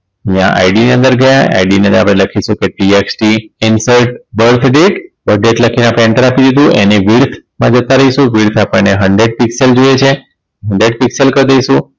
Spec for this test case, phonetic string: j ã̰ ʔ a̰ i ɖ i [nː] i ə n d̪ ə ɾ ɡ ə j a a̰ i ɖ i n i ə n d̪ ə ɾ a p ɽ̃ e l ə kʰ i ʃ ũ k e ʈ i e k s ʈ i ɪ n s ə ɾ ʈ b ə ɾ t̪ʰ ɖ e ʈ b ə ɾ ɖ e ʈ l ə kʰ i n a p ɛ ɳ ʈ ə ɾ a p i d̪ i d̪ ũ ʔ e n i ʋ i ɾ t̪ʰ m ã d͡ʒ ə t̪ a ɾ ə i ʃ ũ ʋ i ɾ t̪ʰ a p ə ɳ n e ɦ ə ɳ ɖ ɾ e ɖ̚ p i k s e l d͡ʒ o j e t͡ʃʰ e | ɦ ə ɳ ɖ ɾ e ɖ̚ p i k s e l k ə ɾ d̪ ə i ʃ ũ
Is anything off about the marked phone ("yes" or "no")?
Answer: yes